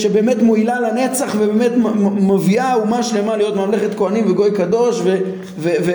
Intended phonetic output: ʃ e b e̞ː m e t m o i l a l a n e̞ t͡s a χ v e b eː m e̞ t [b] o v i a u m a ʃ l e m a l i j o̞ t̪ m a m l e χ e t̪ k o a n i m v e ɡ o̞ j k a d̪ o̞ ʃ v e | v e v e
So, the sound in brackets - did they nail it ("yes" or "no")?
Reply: no